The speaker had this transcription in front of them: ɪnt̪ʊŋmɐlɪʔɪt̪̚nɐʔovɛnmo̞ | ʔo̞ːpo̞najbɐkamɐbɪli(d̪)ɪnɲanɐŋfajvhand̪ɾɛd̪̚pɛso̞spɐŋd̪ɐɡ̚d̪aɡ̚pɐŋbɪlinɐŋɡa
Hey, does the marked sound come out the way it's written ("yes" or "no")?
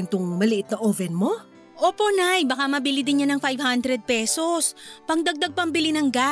yes